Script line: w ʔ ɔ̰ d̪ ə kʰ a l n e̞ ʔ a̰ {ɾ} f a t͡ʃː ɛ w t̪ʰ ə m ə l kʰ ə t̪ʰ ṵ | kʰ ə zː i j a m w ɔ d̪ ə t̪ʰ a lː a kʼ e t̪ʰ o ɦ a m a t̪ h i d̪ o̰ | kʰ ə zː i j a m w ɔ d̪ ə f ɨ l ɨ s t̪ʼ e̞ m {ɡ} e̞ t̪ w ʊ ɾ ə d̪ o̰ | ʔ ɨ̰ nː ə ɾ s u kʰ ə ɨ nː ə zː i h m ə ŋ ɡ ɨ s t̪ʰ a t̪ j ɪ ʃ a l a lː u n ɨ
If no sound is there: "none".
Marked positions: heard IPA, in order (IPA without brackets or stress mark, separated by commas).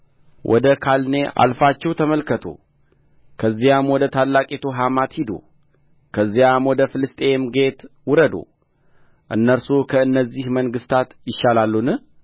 l, ɡ